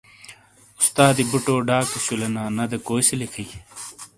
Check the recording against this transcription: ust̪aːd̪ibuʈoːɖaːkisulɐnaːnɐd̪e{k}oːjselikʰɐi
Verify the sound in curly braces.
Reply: correct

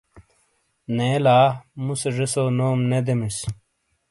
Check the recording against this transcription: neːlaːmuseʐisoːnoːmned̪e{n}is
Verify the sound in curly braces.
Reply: incorrect: m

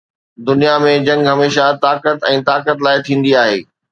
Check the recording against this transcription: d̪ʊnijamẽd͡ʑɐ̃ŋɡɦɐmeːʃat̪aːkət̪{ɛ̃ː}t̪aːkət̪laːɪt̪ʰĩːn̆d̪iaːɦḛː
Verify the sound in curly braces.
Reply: correct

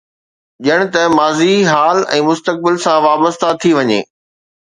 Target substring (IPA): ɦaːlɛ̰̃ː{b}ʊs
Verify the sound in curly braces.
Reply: incorrect: m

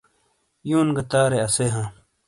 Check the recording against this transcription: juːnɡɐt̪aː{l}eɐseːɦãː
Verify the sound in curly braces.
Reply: incorrect: ɾ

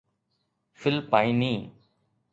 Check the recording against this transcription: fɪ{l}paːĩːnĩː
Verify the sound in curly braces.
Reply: correct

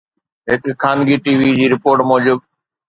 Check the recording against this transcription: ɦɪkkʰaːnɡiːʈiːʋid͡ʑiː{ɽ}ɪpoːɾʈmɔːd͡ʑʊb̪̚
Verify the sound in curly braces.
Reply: incorrect: ɾ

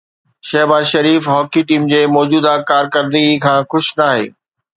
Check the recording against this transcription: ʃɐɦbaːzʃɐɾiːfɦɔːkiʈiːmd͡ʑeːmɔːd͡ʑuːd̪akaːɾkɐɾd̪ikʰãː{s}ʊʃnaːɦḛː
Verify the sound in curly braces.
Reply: incorrect: x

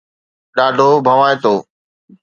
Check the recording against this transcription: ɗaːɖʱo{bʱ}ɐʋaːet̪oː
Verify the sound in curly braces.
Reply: correct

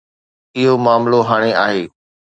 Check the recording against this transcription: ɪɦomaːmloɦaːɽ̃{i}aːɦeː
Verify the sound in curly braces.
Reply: incorrect: e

